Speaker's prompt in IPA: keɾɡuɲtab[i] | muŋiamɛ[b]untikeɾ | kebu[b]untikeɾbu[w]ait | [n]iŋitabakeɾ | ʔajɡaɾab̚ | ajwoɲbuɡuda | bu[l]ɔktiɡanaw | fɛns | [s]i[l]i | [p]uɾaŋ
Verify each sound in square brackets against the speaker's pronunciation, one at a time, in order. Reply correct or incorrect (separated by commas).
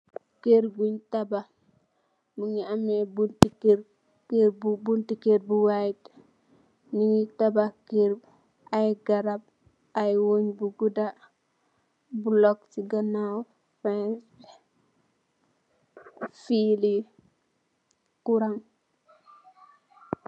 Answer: incorrect, correct, correct, correct, correct, correct, incorrect, correct, incorrect